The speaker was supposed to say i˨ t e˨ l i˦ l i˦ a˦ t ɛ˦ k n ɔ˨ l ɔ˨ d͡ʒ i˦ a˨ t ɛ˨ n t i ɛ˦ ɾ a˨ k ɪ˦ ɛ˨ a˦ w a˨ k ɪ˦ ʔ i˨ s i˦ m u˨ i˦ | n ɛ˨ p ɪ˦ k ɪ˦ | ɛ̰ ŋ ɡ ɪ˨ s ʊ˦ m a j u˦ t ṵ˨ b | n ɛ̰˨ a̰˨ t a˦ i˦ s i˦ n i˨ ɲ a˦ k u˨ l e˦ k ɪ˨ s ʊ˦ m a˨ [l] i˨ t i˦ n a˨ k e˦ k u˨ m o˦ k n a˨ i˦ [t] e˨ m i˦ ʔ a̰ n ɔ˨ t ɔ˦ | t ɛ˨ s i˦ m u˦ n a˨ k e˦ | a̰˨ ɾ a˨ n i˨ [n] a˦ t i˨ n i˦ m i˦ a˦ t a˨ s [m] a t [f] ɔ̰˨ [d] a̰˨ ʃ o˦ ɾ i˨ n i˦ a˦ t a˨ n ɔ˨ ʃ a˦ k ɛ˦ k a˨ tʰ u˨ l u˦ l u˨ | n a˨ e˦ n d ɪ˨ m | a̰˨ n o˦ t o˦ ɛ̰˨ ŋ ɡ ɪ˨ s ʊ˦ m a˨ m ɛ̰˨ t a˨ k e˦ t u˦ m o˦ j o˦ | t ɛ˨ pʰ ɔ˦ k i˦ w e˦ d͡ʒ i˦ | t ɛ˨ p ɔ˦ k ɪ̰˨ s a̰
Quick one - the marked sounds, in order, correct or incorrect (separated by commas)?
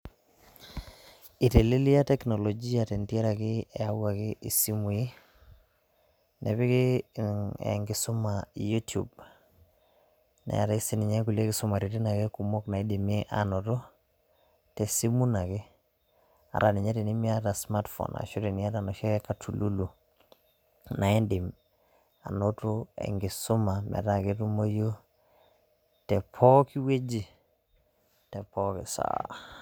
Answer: incorrect, incorrect, incorrect, correct, correct, incorrect